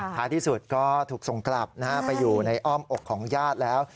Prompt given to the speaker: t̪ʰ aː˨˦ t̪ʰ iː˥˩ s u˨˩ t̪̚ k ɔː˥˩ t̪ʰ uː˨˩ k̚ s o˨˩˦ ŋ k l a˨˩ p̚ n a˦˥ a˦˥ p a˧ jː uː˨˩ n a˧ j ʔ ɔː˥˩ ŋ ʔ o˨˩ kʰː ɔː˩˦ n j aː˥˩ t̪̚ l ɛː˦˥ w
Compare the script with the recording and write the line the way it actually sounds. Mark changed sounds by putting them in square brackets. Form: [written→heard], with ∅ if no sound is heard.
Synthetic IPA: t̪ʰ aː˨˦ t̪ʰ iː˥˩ s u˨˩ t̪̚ k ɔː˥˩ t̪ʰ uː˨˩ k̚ s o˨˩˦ ŋ k l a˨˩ p̚ n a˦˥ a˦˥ p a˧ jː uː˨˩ n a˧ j ʔ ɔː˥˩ [ŋ→m] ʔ o˨˩ kʰː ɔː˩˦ [n→ŋ] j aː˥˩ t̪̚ l ɛː˦˥ w